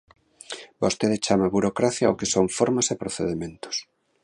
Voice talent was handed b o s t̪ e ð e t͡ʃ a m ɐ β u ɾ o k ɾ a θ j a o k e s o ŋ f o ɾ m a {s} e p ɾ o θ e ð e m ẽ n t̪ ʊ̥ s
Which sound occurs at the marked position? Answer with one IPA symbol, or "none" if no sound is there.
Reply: s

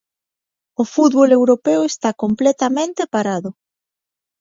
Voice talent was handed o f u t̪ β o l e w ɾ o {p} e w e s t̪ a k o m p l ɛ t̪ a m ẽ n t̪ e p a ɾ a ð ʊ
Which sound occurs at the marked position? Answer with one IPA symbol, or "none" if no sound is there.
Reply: p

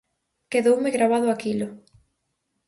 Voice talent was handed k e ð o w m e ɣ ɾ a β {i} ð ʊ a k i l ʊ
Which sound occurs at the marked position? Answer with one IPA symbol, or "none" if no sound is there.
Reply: a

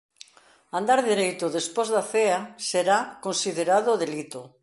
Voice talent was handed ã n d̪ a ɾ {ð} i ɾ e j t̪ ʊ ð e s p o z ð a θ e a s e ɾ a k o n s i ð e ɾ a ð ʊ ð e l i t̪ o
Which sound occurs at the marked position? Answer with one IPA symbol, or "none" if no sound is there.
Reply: ð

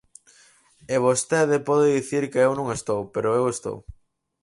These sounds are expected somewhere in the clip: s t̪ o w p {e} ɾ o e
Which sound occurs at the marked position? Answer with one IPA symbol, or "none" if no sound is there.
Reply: e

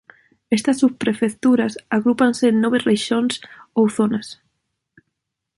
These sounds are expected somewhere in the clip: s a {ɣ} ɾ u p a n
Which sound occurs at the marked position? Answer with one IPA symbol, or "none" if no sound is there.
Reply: ɣ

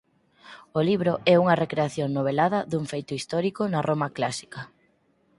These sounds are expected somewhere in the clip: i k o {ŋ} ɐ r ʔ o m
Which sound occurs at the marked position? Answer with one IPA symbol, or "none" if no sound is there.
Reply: n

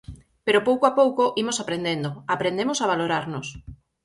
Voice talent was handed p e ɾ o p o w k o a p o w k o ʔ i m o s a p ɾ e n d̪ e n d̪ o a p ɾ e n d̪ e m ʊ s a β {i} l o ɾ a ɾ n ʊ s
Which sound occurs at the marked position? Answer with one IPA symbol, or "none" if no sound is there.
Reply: a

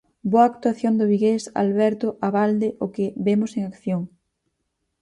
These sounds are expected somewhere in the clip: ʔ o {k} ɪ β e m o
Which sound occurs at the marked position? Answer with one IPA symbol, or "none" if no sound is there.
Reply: k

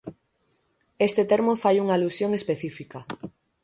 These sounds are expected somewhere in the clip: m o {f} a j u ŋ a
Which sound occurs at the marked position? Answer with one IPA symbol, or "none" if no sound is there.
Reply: f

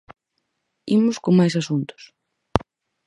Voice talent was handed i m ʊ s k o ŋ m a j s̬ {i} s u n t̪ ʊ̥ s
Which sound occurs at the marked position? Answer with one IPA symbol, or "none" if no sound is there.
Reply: a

